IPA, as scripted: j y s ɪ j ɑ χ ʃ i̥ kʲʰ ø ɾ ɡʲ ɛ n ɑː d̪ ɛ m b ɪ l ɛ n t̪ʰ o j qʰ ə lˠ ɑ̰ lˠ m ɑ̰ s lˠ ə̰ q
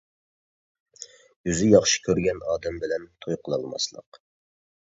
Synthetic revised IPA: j y z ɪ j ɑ χ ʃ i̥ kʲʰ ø ɾ ɡʲ ɛ n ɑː d̪ ɛ m b ɪ l ɛ n t̪ʰ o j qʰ ə lˠ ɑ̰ lˠ m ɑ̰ s lˠ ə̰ q